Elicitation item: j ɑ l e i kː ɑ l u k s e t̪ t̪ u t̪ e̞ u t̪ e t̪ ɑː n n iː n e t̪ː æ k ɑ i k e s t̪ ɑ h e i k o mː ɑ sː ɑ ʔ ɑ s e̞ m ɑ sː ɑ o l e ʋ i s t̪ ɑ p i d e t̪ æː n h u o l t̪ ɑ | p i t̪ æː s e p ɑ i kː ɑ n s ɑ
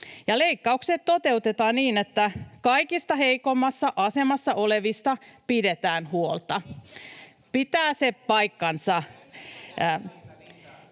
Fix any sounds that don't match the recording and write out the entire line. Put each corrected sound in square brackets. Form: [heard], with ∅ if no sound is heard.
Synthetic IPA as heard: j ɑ l e i kː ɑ [∅] u k s e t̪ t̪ [o] t̪ e̞ u t̪ e t̪ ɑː n n iː n e t̪ː æ k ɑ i k [i] s t̪ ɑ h e i k o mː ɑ sː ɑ ʔ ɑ s e̞ m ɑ sː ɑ o l e ʋ i s t̪ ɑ p i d e t̪ æː n h u o l t̪ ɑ | p i t̪ æː s e p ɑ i kː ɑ n s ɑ